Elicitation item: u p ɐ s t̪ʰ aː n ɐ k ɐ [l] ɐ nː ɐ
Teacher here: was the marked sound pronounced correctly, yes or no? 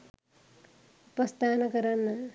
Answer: no